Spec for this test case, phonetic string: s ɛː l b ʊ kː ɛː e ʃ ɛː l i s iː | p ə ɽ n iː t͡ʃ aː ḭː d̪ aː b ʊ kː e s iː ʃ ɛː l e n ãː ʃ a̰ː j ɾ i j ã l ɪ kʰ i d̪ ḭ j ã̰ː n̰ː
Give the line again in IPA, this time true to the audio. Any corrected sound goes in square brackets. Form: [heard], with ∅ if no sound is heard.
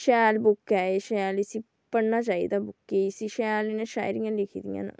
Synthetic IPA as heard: [ʃ] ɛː l b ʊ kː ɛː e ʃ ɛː l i s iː | p ə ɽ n [aː] t͡ʃ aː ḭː d̪ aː b ʊ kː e s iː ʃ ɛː l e n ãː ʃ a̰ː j ɾ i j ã l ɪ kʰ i d̪ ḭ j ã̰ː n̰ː